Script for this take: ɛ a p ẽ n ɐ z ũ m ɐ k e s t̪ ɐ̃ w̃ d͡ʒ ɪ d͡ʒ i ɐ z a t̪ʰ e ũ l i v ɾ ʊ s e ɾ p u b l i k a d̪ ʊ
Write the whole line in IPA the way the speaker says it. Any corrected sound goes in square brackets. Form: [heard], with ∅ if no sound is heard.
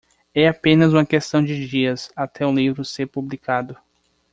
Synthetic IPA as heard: ɛ a p ẽ n ɐ z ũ m ɐ k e s t̪ ɐ̃ w̃ d͡ʒ ɪ d͡ʒ i ɐ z a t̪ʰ [ɛ] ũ l i v ɾ ʊ s e ɾ p u b l i k a d̪ ʊ

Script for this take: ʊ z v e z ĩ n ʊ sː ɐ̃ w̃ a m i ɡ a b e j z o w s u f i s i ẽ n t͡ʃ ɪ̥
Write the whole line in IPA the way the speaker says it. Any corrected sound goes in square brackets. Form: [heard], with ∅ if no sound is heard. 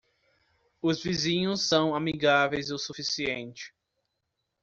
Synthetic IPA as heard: ʊ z v [i] z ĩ [ɲ] ʊ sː ɐ̃ w̃ a m i ɡ a [v] e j z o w s u f i s i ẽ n t͡ʃ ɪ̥

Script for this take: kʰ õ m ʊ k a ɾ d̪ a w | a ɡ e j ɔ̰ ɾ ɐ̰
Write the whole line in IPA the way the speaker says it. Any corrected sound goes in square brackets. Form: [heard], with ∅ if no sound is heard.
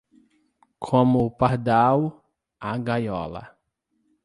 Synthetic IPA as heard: kʰ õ m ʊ [p] a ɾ d̪ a w | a ɡ [a] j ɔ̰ [l] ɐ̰

